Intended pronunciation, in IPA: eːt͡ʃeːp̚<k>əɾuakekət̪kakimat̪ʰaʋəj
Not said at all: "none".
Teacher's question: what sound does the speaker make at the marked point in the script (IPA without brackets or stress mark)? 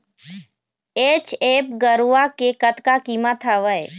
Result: ɡ